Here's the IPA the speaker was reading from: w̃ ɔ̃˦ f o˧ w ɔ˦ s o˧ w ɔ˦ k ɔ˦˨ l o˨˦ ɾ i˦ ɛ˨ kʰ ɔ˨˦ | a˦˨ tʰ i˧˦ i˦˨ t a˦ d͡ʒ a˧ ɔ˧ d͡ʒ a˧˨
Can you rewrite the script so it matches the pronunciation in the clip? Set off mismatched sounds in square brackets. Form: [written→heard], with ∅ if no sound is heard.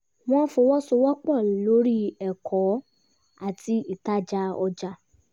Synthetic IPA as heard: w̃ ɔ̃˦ f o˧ w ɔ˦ s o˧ w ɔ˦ [k→k͡p] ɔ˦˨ l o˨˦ ɾ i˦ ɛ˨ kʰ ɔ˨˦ | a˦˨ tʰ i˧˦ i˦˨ t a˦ d͡ʒ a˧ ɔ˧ d͡ʒ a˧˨